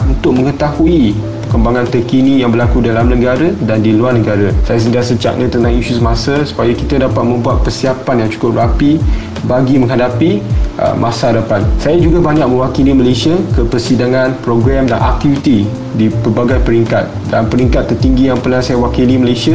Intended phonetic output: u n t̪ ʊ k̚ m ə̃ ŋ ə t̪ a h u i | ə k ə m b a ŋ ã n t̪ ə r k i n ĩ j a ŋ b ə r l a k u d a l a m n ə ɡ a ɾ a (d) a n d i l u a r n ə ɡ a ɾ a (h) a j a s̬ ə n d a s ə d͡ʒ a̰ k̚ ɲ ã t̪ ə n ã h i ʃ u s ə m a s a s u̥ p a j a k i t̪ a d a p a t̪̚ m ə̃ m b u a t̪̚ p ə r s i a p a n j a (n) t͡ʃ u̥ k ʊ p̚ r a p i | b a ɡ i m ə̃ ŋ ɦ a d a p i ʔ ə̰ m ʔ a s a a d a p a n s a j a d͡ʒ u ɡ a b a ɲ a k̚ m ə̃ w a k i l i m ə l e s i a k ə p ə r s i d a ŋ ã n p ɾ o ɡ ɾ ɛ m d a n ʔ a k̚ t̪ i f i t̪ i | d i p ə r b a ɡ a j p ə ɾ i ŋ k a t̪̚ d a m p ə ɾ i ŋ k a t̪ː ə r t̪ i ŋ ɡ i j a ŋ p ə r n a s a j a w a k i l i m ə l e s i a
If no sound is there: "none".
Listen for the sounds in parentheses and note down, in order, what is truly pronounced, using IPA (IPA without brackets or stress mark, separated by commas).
d, s, ŋ